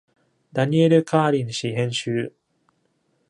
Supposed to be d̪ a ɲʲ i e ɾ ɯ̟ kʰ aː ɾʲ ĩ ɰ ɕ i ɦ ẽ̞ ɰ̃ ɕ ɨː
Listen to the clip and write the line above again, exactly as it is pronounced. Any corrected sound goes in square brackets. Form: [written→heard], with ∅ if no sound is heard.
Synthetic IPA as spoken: d̪ a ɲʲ i e ɾ ɯ̟ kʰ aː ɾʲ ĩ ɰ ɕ i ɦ ẽ̞ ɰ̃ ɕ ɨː